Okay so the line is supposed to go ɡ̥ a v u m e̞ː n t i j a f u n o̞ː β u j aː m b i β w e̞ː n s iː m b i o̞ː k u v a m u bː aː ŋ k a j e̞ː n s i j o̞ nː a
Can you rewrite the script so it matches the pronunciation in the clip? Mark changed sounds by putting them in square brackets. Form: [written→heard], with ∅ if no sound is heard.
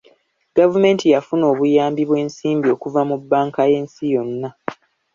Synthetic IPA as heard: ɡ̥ a v u m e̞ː n t i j a f u n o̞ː β u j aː m b i β w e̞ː n s iː m b i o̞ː k u v a m u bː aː ŋ k a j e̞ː n s i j o̞ nː a